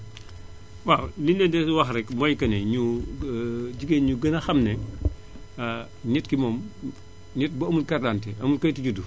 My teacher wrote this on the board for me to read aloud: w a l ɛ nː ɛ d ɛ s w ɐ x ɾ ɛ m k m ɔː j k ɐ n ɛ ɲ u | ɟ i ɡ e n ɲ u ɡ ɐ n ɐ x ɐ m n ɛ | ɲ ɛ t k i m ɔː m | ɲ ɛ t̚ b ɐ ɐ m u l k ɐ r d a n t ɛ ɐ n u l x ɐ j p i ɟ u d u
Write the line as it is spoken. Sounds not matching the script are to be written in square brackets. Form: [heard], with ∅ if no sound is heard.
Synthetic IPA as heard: w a l [i] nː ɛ d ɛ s w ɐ x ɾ ɛ [∅] k m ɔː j k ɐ n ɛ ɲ u | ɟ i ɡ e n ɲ u ɡ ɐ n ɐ x ɐ m n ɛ | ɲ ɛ t k i m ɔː m | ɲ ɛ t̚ b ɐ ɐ m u l k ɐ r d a n t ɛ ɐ [m] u l [k] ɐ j [t] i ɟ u d u